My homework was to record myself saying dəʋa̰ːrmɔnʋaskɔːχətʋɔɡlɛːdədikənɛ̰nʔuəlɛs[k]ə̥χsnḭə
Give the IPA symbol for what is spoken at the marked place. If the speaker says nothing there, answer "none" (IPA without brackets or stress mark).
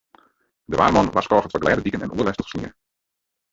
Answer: t